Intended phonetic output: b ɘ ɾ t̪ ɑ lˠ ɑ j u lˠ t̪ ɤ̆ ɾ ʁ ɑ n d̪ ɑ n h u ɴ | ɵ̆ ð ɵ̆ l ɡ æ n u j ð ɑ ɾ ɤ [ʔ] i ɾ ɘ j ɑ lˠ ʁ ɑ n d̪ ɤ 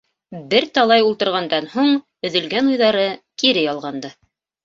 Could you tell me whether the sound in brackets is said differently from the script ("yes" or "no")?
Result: yes